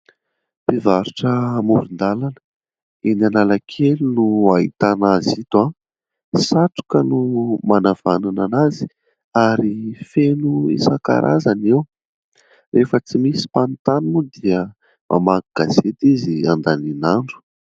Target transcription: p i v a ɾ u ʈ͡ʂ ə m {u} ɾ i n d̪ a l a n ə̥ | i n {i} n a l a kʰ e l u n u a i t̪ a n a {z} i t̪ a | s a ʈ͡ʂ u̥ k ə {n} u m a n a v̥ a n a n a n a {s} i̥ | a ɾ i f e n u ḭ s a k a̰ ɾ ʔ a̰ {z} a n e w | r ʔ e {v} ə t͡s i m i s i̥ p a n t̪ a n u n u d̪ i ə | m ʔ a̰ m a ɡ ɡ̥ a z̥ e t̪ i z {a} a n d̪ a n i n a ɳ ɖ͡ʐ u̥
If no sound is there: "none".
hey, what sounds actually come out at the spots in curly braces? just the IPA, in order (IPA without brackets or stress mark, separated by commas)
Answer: u, a, z, n, z, z, f, i